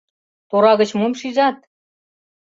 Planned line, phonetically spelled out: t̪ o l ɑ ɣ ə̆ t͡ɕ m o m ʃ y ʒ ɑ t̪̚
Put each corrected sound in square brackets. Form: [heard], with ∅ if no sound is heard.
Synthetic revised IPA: t̪ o [ɾ] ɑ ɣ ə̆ t͡ɕ m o m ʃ [i] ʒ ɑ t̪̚